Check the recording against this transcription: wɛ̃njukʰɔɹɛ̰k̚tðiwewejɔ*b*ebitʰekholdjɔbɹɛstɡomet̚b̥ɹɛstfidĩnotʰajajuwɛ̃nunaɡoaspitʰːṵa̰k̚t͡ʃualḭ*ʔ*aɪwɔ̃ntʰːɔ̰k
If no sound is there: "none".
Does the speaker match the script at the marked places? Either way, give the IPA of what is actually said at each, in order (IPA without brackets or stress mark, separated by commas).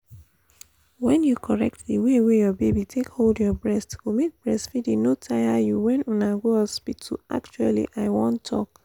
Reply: b, ʔ